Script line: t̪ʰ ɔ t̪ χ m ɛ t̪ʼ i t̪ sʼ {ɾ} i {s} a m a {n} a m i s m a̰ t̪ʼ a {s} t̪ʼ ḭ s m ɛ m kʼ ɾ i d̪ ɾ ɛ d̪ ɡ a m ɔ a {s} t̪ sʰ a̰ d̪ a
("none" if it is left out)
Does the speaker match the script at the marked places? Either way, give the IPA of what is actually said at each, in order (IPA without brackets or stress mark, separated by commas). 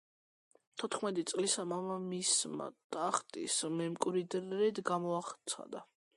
l, s, m, χ, χ